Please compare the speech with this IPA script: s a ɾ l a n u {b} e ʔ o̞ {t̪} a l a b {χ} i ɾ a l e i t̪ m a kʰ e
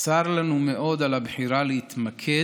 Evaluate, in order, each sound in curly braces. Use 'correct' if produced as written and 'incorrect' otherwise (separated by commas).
incorrect, incorrect, incorrect